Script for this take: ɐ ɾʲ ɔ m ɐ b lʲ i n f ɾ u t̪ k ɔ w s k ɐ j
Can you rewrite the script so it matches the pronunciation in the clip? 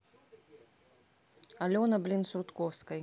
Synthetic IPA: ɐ lʲ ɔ n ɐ b lʲ i n s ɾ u t̪ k ɔ w s k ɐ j